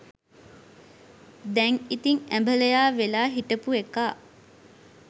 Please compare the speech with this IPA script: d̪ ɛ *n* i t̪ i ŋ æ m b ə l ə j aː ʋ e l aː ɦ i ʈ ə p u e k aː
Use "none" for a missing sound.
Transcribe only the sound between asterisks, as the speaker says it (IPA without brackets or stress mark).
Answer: ŋ